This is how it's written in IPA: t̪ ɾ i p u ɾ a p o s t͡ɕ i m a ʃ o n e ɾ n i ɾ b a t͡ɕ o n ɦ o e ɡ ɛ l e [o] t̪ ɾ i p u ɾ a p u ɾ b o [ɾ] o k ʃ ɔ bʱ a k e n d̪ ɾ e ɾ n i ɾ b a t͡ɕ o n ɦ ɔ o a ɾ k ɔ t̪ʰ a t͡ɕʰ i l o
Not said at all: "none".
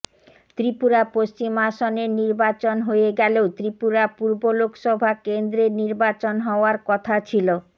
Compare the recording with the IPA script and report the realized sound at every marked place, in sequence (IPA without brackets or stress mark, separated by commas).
o, l